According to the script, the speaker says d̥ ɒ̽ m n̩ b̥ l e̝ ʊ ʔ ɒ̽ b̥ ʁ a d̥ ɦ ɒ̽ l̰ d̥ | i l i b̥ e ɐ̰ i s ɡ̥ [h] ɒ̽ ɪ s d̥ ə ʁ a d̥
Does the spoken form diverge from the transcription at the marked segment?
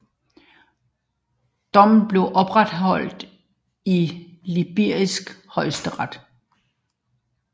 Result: no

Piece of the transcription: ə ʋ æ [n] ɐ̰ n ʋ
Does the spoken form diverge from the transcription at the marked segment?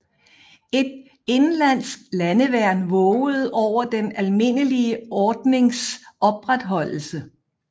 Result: yes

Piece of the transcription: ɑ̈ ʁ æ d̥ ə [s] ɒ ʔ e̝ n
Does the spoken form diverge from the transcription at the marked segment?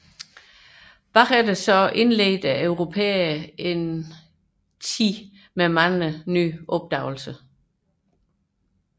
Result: no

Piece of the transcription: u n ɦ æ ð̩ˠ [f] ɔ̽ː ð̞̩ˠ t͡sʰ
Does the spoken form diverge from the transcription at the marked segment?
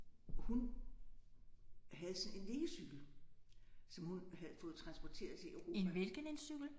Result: no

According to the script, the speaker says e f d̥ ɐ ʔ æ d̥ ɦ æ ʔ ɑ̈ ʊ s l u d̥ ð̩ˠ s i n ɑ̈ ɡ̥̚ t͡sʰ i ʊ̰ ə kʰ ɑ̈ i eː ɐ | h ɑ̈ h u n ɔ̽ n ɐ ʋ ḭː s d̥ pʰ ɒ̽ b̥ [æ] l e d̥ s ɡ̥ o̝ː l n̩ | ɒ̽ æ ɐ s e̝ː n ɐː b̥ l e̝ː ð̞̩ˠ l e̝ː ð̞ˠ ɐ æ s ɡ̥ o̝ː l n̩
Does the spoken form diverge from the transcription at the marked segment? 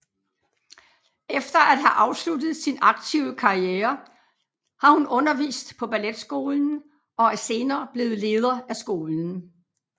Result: no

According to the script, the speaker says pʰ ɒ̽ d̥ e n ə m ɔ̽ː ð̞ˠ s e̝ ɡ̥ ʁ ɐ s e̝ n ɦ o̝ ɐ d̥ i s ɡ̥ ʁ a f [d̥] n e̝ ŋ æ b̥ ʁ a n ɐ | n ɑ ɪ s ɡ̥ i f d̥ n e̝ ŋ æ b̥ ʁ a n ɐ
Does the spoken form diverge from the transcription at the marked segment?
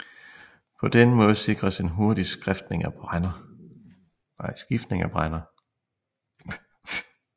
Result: no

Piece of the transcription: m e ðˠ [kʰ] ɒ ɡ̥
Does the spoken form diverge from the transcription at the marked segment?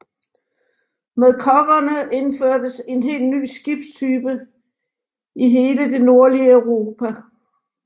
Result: no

